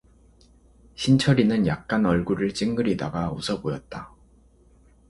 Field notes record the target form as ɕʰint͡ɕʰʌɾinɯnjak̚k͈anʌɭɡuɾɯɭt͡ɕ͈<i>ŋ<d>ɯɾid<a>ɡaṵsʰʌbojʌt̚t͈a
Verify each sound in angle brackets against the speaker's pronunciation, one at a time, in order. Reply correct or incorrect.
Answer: correct, incorrect: ɡ, correct

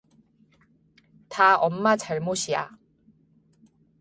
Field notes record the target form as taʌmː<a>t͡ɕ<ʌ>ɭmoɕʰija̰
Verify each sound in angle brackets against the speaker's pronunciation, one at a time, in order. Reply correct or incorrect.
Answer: correct, incorrect: a

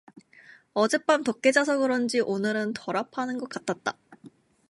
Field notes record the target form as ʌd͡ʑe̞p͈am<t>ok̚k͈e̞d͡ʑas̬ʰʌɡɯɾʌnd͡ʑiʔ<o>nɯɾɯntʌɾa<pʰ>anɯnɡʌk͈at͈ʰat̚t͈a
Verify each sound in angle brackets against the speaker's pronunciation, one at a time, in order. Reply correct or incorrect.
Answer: correct, correct, correct

